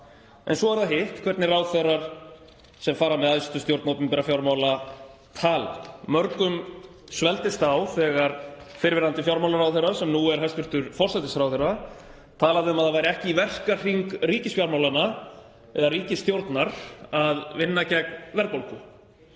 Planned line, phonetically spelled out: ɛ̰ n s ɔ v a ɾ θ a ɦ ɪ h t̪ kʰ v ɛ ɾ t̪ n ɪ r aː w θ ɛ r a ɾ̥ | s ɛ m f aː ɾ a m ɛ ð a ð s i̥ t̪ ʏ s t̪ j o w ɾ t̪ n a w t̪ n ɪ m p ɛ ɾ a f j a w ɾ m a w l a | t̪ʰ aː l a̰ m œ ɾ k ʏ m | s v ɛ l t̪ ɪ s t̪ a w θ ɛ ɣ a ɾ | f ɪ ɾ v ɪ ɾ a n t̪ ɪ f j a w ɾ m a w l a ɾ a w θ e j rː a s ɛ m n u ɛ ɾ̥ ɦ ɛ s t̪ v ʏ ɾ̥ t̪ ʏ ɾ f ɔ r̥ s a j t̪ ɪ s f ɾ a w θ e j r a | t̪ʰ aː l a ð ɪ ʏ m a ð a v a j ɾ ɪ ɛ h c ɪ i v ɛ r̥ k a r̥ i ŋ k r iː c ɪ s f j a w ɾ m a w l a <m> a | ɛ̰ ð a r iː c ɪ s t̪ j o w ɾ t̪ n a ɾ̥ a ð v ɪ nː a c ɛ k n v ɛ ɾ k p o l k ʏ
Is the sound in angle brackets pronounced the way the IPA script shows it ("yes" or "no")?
no